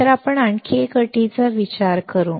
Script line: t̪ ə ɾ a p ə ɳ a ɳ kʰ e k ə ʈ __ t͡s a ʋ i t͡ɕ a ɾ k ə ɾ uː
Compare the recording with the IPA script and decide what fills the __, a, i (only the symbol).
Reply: i